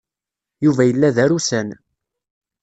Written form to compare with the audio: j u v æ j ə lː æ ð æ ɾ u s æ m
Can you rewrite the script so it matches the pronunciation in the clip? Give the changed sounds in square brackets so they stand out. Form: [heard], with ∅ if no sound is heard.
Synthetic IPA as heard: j u v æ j ə lː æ ð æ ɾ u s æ [n]

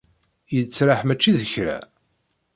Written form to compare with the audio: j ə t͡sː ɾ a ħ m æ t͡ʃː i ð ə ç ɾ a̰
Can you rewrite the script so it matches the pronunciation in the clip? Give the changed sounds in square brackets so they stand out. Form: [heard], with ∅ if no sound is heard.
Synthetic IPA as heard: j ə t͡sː ɾ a ħ m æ t͡ʃː i ð ə ç ɾ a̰

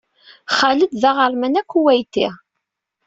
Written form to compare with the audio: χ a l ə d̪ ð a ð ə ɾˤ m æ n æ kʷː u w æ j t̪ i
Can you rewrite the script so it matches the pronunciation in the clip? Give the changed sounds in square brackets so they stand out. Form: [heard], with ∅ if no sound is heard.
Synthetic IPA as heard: χ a l ə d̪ ð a [ʁ] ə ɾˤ m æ n æ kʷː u w æ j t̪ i

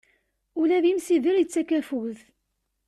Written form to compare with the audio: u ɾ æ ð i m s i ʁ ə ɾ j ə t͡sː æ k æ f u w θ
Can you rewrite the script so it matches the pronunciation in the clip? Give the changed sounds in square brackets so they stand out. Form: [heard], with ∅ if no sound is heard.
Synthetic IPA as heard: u [l] æ ð i m s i [ð] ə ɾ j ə t͡sː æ k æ f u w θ

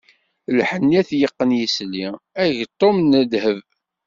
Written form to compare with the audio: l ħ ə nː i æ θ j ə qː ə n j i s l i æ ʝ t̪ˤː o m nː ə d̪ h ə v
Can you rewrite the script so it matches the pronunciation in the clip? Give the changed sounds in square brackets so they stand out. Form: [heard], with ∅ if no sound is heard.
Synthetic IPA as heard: l ħ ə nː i æ θ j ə qː ə n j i s l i æ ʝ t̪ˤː o m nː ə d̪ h ə v

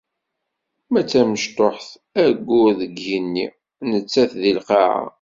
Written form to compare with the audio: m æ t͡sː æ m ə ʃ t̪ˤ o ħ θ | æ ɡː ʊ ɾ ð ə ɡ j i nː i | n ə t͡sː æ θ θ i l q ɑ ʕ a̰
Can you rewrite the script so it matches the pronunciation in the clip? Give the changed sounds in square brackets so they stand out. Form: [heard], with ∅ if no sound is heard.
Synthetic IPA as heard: m æ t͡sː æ m ə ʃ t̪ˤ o ħ θ | æ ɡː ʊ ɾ ð ə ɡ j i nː i | n ə t͡sː æ θ [ð] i l q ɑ ʕ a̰

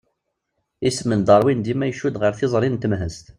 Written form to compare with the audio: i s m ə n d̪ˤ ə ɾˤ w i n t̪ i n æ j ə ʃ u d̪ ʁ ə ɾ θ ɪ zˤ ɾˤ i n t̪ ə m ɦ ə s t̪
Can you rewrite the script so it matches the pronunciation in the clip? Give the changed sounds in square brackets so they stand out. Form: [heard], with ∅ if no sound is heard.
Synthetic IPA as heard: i s m ə n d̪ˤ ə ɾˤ w i n [d̪] i [m] æ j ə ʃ u d̪ ʁ ə ɾ θ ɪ zˤ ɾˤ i n t̪ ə m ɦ ə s t̪

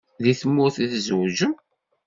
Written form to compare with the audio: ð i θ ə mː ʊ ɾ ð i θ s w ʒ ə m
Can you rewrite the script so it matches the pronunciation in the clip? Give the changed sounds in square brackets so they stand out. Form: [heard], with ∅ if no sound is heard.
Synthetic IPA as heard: ð i θ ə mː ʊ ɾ [θ] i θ [z] w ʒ ə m

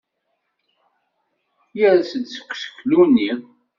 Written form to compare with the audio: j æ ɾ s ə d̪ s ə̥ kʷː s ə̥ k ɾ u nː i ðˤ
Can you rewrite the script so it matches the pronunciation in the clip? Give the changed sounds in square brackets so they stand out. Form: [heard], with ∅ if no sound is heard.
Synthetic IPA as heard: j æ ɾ s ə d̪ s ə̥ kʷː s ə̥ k [l] u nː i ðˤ

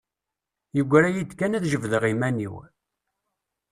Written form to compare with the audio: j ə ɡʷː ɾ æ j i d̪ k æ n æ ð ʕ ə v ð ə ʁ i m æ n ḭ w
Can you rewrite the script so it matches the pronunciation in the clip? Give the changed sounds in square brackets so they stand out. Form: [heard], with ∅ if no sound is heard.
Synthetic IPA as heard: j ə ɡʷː ɾ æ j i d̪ k æ n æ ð [ʒ] ə v ð ə ʁ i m æ n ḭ w

